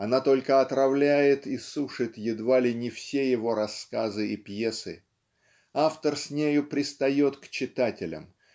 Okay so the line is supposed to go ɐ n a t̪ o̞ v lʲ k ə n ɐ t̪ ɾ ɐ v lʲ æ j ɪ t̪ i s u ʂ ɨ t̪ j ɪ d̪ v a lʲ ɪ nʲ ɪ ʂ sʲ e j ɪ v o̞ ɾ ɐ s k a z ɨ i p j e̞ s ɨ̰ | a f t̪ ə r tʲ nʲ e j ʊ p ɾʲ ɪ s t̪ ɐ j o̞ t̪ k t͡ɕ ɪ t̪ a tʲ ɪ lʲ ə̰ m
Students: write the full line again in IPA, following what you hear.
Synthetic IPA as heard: ɐ n a t̪ o̞ lʲ k ə ɐ t̪ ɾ ɐ v lʲ æ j ɪ t̪ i s u ʂ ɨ t̪ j ɪ d̪ v a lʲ ɪ nʲ ɪ f sʲ e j ɪ v o̞ ɾ ɐ s k a z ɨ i p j e̞ s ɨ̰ | a f t̪ ə r sʲ nʲ e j ʊ p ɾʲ ɪ s t̪ ɐ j o̞ t̪ k t͡ɕ ɪ t̪ a tʲ ɪ lʲ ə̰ m